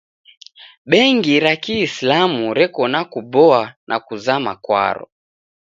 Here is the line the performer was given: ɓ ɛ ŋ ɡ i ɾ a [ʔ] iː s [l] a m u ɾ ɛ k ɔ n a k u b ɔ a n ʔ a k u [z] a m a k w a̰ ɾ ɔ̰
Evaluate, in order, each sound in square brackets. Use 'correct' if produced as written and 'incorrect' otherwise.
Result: incorrect: k, correct, correct

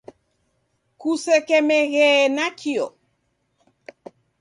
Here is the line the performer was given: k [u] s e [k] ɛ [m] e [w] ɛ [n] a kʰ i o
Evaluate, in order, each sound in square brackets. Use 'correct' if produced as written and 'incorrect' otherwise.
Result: correct, correct, correct, incorrect: ɣ, correct

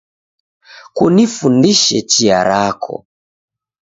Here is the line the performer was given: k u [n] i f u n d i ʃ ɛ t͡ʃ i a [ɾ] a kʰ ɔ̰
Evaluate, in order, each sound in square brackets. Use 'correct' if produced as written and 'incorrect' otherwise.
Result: correct, correct

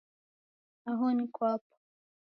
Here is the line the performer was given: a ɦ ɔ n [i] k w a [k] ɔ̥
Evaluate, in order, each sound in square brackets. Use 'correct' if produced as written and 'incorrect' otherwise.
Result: correct, incorrect: p

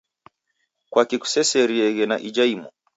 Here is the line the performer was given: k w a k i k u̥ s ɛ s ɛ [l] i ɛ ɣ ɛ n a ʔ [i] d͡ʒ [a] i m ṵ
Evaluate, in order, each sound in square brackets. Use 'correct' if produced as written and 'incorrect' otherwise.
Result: incorrect: ɾ, correct, correct

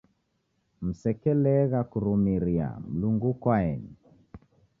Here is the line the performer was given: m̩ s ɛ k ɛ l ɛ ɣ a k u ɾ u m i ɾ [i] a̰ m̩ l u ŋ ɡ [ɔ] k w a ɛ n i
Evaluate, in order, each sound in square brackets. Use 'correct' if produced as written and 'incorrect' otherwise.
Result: correct, incorrect: u

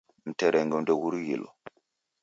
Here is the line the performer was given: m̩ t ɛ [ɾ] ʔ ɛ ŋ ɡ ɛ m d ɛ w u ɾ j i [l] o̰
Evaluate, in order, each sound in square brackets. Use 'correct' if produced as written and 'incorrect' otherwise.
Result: correct, correct

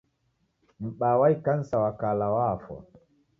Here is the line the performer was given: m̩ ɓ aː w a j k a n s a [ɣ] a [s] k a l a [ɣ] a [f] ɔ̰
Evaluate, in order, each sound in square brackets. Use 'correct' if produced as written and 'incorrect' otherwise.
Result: incorrect: w, incorrect: none, incorrect: w, correct

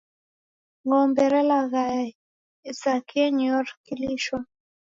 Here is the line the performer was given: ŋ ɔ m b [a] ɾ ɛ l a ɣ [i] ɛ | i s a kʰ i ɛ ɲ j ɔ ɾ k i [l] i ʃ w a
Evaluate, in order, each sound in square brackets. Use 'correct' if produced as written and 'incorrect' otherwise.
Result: incorrect: ɛ, incorrect: a, correct

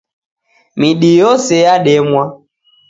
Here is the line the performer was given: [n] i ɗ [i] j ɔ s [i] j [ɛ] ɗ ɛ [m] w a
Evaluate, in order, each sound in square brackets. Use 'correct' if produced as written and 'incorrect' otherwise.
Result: incorrect: m, correct, incorrect: ɛ, incorrect: a, correct

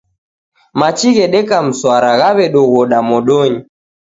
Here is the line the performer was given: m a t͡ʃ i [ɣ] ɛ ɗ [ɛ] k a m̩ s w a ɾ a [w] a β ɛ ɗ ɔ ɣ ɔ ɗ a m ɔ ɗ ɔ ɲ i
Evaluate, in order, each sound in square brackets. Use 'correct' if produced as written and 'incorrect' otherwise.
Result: correct, correct, incorrect: ɣ

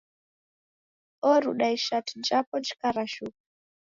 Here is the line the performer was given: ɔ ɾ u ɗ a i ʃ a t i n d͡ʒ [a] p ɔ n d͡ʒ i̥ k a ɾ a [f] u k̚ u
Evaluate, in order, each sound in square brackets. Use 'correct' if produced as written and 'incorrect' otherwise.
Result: correct, incorrect: ʃ

